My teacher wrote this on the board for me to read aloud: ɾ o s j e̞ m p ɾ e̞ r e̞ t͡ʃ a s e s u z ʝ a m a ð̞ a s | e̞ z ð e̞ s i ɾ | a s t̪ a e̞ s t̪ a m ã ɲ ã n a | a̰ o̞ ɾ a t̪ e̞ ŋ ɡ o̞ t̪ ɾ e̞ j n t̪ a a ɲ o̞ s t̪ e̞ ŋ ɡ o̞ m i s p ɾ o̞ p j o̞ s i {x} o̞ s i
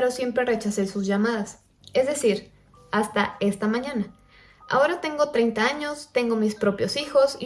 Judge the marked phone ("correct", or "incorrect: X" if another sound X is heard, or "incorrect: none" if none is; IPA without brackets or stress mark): correct